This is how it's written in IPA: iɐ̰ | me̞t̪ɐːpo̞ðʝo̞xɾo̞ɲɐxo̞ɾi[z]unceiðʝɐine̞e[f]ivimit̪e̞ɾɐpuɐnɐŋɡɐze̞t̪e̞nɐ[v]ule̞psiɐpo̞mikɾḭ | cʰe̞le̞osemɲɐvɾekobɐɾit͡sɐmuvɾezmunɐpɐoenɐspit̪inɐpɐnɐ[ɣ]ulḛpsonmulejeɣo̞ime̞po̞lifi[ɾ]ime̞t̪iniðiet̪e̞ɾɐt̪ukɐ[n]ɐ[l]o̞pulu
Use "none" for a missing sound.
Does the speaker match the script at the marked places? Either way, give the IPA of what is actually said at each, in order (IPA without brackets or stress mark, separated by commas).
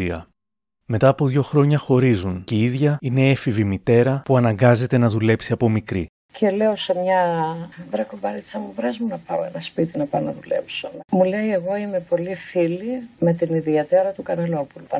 z, f, ð, ð, l, n, l